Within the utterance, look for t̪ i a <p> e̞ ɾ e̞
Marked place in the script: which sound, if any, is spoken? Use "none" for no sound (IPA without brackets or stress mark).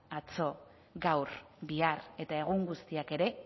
k